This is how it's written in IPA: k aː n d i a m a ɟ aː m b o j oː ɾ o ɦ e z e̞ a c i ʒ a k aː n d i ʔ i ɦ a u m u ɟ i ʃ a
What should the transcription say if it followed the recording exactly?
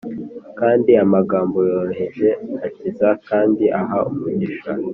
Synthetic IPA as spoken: k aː n d i a m a ɡ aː m b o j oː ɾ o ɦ e ʒ e̞ a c i z a k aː n d i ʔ a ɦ a u m u ɟ i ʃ a

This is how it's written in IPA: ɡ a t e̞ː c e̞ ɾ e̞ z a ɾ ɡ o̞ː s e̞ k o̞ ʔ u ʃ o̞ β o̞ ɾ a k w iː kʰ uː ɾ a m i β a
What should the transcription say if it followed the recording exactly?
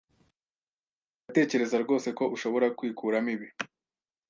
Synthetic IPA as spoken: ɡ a t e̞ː c e̞ ɾ e̞ z a ɾ ɡ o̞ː s e̞ k o̞ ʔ u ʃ o̞ β o̞ ɾ a k w iː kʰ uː ɾ a m i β i

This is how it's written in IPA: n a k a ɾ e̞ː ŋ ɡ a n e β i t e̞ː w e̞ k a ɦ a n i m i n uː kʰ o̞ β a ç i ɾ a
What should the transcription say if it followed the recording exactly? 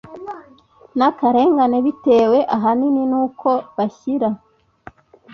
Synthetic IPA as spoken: n a k a ɾ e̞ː ŋ ɡ a n e β i t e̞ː w e̞ ʔ a ɦ a n i n i n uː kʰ o̞ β a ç i ɾ a

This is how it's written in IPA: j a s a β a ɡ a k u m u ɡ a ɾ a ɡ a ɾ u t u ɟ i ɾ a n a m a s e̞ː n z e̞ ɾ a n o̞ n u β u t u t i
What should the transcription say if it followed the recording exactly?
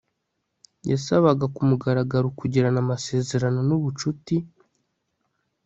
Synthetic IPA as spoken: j a s a β a ɡ a k u m u ɡ a ɾ a ɡ a ɾ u k u ɟ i ɾ a n a m a s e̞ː z e̞ ɾ a n o̞ n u β u t͡ʃ u t i

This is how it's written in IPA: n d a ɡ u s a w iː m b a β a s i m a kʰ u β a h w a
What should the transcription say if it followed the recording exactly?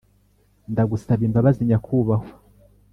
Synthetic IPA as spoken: n d a ɡ u s a β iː m b a β a z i ɲ a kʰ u β a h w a

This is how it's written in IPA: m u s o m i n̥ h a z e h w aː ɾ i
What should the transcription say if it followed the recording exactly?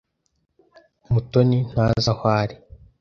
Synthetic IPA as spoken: m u t o n i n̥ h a z a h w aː ɾ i

